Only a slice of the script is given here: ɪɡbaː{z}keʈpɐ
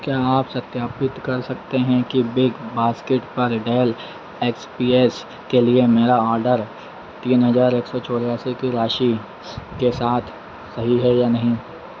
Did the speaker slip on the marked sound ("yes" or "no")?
yes